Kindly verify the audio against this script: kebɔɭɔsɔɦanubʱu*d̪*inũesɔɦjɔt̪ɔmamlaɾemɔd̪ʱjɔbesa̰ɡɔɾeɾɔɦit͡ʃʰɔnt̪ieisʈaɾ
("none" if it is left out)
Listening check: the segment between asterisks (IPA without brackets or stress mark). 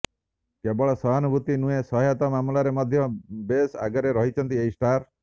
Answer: t̪